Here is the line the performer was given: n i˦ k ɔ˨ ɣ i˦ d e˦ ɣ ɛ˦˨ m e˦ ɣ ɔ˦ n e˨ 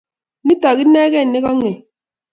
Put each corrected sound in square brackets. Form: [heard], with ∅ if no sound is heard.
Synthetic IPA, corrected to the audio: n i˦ [t] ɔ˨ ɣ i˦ [n] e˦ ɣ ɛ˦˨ [n] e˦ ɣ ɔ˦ [ŋ] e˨